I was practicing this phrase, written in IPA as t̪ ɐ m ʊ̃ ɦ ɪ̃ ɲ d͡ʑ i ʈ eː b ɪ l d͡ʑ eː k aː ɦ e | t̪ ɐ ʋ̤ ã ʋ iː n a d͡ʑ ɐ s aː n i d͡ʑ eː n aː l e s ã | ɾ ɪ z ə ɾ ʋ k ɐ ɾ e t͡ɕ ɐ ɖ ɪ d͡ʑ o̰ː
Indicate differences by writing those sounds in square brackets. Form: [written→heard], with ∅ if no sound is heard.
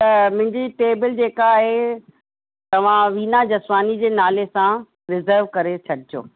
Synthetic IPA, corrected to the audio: t̪ ɐ m ʊ̃ ɦ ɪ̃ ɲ d͡ʑ i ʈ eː b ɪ l d͡ʑ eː k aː ɦ e | t̪ ɐ ʋ̤ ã ʋ iː n a d͡ʑ ɐ s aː n i d͡ʑ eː n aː l e s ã | ɾ ɪ z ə ɾ ʋ k ɐ ɾ e [t͡ɕ→t͡ɕʰ] ɐ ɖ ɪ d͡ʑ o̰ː